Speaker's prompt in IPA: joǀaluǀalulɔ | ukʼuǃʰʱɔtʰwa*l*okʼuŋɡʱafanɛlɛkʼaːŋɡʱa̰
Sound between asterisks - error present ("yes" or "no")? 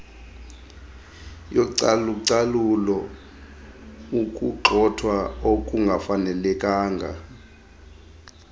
yes